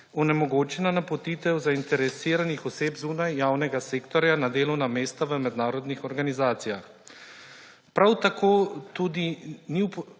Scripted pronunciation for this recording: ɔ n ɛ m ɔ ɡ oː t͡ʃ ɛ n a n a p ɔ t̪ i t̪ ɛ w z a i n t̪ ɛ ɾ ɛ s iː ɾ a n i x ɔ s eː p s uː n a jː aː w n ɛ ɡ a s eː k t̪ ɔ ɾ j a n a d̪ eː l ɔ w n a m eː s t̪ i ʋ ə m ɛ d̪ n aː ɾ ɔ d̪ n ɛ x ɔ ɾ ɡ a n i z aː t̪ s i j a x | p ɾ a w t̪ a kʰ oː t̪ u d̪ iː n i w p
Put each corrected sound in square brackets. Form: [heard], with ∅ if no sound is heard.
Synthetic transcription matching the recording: ɔ n ɛ m ɔ ɡ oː t͡ʃ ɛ n a n a p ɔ t̪ i t̪ ɛ w z a i n t̪ ɛ ɾ ɛ s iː ɾ a n i x ɔ s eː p [z] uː n a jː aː w n ɛ ɡ a s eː k t̪ ɔ ɾ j a n a d̪ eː l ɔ w n a m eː s t̪ [a] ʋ ə m ɛ d̪ n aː ɾ ɔ d̪ n [i] x ɔ ɾ ɡ a n i z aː t̪ s i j a x | p ɾ a w t̪ a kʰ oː t̪ u d̪ [i] n i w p